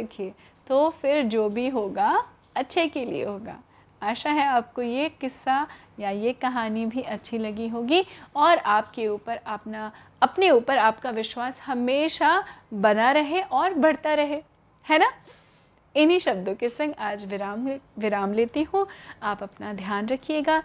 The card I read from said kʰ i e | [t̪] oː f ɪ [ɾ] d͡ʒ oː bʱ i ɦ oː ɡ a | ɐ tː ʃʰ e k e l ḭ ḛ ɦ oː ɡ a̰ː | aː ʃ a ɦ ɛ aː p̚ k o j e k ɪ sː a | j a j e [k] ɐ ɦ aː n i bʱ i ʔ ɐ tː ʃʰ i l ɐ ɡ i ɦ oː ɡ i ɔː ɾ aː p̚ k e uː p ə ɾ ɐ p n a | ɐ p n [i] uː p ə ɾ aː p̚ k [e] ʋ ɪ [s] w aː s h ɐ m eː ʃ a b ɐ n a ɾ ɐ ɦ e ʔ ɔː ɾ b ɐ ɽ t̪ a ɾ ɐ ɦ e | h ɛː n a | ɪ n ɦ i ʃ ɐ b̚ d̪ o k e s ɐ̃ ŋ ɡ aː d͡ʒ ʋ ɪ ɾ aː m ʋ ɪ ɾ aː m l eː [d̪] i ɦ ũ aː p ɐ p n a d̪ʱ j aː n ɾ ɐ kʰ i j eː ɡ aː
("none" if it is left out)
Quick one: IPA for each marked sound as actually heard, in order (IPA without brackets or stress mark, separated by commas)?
t̪, ɾ, k, e, a, ʃ, t̪